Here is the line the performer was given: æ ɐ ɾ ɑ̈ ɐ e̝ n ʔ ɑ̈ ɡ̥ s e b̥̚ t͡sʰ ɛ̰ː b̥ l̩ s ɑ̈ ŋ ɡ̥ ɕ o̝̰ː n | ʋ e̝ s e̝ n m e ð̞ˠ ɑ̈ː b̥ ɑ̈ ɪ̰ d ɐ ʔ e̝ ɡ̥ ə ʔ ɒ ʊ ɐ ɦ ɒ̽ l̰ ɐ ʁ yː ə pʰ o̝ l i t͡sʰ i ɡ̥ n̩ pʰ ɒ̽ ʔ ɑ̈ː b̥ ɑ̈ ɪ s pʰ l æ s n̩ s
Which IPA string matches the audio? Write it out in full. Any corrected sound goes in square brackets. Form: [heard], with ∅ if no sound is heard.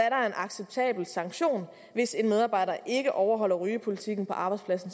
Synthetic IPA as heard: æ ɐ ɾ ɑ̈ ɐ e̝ n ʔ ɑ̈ ɡ̥ s e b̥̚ t͡sʰ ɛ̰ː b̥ l̩ s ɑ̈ ŋ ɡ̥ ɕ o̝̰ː n | ʋ e̝ s e̝ n m e ð̞ˠ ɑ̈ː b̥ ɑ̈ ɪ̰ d ɐ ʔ e̝ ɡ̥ ə ʔ ɒ ʊ ɐ ɦ ɒ̽ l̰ ɐ ʁ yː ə pʰ o̝ l i t͡sʰ i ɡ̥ n̩ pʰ ɒ̽ ʔ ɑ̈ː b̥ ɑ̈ ɪ s pʰ l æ s n̩ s